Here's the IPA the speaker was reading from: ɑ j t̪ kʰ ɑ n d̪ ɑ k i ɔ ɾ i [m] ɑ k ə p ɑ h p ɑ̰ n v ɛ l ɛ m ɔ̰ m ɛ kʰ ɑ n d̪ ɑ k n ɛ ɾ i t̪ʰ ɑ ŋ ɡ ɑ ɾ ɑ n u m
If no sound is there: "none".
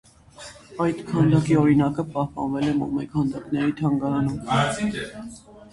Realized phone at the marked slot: n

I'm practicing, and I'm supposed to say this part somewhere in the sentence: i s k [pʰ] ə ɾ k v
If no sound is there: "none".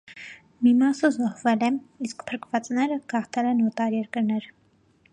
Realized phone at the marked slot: pʰ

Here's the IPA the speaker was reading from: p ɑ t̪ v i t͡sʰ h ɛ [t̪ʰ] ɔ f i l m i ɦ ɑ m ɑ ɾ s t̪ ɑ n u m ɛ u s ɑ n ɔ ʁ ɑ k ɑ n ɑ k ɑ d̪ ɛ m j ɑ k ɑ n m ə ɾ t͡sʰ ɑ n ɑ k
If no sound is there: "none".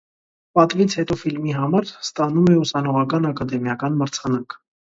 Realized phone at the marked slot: t̪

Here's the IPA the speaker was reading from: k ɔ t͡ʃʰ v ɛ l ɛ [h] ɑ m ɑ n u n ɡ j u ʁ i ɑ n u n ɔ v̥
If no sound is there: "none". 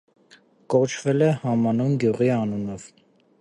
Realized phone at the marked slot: h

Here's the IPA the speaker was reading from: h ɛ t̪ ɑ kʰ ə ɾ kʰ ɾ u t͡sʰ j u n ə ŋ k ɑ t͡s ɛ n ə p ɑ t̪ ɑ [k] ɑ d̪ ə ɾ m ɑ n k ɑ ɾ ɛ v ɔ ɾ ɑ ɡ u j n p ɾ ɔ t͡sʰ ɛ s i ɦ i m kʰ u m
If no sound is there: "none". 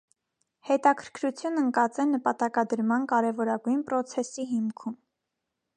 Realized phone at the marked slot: k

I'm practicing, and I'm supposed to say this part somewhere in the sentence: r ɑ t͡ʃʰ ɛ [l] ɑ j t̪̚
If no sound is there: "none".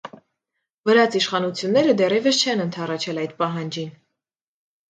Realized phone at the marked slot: l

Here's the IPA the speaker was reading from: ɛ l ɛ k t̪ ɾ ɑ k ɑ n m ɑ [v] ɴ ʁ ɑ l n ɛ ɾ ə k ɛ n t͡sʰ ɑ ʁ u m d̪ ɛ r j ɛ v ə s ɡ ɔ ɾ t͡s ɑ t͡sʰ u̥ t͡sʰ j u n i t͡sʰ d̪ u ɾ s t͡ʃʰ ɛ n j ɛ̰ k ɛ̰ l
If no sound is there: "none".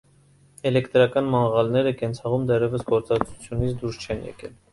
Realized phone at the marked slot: none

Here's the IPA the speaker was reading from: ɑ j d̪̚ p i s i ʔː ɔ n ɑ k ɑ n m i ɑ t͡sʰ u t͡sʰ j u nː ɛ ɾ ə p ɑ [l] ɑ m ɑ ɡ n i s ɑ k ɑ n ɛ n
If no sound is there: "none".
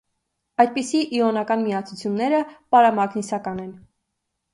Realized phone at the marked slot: ɾ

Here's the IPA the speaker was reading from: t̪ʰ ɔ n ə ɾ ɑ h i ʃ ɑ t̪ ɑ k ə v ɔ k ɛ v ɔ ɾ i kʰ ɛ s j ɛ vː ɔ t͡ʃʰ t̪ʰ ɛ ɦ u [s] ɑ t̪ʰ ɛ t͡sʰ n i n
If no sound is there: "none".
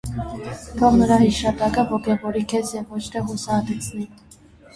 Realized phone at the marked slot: s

